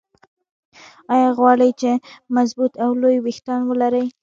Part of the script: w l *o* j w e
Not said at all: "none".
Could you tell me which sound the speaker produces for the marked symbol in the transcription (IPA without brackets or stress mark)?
o